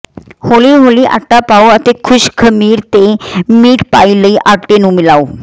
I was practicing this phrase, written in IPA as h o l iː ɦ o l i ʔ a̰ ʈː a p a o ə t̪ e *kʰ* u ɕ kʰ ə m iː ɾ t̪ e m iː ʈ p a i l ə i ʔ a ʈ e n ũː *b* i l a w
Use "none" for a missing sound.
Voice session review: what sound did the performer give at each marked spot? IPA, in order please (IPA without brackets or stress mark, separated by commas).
kʰ, m